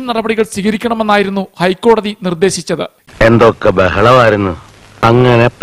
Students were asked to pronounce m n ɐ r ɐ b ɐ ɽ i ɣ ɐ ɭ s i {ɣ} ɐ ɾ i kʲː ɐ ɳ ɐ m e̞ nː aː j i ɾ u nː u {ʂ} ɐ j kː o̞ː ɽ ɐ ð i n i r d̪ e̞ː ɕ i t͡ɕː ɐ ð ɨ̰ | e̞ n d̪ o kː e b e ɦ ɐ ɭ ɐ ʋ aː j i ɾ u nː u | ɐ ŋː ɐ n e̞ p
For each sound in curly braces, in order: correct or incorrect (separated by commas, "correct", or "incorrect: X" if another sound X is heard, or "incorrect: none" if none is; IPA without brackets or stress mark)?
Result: correct, incorrect: h